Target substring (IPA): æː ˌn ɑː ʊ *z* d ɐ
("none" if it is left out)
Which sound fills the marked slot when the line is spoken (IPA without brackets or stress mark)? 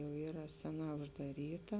ʒ